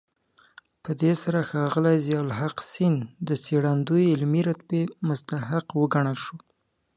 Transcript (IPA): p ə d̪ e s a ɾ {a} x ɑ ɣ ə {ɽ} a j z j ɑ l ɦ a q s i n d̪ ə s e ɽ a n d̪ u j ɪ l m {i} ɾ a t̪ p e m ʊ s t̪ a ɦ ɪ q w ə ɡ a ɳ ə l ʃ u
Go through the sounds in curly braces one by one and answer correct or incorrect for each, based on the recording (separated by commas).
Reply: correct, incorrect, correct